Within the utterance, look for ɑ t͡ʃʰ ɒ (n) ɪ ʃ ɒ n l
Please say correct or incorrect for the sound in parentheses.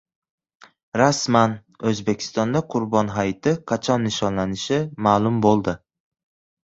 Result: incorrect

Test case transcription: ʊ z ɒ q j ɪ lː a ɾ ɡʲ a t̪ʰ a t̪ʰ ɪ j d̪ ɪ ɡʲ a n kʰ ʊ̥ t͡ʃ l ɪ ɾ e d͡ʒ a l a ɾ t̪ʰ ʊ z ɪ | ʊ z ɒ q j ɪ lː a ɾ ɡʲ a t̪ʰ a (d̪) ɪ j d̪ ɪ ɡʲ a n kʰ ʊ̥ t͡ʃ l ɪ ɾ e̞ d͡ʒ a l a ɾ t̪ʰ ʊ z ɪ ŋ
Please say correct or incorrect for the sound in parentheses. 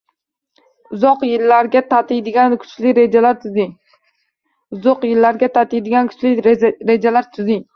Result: incorrect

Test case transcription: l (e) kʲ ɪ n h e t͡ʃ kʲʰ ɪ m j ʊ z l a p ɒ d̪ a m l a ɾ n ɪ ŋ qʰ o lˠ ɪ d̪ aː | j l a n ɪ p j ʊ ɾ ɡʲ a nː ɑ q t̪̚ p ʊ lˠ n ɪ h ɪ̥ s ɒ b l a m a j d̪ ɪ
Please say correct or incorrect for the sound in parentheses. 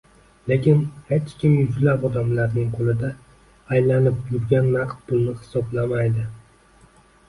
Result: correct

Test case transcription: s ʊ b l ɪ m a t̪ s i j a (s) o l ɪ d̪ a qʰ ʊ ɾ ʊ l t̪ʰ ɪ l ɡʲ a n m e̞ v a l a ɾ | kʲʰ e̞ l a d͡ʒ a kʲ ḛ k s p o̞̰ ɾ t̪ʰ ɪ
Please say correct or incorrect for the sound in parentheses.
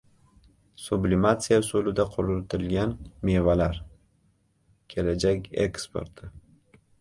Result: correct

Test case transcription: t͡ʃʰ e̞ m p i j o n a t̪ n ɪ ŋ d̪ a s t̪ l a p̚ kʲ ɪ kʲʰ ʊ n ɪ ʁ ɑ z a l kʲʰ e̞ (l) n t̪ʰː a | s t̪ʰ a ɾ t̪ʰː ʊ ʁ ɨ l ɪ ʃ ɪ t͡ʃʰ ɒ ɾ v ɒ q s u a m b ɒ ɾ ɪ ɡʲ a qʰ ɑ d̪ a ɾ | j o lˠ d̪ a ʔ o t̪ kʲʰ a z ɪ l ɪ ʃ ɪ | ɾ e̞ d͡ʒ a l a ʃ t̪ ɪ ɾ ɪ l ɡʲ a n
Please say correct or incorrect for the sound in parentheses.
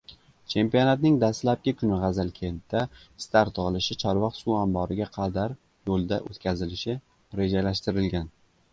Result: incorrect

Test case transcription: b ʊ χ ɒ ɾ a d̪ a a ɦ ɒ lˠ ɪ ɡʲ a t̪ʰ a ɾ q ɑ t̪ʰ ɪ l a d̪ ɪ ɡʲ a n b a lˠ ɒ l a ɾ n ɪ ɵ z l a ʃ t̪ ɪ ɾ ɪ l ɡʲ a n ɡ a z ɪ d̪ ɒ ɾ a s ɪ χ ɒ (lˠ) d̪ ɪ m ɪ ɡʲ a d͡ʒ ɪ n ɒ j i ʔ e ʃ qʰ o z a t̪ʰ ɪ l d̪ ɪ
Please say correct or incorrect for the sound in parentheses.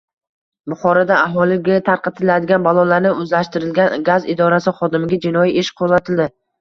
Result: incorrect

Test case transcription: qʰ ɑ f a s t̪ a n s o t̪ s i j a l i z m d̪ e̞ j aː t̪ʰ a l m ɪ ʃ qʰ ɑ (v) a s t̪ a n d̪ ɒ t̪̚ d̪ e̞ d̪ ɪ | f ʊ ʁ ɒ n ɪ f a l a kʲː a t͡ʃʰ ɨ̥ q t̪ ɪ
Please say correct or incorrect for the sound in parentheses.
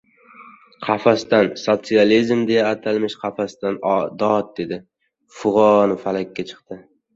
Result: incorrect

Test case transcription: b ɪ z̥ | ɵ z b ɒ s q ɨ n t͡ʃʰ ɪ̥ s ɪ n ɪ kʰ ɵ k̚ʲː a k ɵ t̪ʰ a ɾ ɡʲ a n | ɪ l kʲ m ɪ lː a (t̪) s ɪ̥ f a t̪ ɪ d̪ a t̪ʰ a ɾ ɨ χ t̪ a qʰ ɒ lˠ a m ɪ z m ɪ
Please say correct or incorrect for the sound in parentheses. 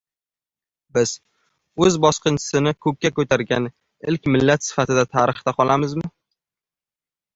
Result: correct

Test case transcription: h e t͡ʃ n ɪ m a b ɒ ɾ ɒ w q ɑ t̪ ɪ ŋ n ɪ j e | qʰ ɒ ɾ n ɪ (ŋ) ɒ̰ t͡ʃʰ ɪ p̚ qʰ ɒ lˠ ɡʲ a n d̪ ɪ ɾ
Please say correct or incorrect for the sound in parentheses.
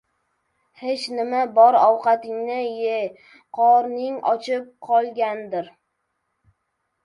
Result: correct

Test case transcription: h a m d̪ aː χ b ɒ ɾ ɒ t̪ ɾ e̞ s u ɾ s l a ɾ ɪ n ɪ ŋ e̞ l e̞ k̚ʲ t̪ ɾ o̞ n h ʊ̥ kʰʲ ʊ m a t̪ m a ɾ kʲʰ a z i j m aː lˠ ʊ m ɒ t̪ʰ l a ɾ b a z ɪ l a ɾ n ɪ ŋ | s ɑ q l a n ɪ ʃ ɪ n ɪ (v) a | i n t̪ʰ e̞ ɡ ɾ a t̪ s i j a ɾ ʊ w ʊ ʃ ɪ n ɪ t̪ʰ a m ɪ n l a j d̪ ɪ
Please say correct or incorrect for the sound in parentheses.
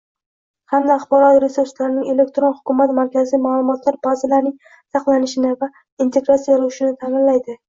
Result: correct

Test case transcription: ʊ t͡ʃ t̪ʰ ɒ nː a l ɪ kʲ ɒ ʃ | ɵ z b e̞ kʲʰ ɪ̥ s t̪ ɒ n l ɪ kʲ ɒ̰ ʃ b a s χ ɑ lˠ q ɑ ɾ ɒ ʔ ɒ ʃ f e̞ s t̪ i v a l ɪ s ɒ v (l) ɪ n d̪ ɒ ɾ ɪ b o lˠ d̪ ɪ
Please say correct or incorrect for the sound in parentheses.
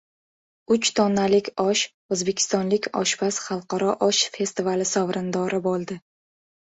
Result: incorrect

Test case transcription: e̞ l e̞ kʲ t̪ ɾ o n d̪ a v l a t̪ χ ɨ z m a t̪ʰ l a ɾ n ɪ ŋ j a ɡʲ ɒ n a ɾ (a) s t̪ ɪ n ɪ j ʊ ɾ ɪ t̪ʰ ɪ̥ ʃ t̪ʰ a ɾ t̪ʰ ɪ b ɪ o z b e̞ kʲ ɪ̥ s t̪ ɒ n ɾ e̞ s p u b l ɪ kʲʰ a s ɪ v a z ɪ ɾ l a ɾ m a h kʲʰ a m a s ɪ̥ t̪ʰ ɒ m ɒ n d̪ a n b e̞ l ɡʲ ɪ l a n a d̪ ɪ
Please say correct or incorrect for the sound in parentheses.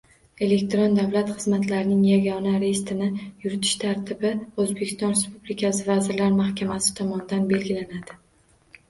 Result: incorrect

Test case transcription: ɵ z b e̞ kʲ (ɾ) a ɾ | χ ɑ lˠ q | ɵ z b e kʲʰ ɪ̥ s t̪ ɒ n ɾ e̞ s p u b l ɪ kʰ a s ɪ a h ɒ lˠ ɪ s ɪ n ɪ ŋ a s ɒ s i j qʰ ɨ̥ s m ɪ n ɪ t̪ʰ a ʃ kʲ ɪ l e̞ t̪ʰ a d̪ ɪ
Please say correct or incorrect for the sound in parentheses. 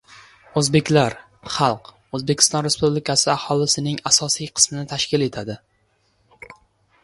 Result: incorrect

